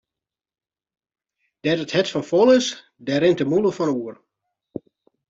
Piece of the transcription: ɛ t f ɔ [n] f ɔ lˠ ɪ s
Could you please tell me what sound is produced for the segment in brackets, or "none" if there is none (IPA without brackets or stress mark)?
n